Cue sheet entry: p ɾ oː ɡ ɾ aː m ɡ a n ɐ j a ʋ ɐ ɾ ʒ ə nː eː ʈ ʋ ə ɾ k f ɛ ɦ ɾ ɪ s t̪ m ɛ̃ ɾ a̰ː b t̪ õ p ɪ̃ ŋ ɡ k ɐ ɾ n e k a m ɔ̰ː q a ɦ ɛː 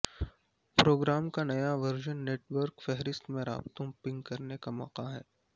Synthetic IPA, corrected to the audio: p ɾ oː ɡ ɾ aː m k a n ɐ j a ʋ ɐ ɾ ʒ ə nː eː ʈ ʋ ə ɾ k f ɛ ɦ ɾ ɪ s t̪ m ẽ ɾ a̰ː b t̪ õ p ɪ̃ ŋ ɡ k ɐ ɾ n e k a m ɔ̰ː q a ɦ ɛː